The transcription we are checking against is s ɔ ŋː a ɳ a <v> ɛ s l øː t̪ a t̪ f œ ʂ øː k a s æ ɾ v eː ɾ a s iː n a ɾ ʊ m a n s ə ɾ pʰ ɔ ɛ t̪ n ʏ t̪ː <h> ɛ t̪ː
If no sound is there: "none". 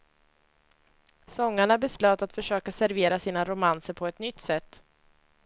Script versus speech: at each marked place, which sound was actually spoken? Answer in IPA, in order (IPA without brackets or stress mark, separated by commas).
b, s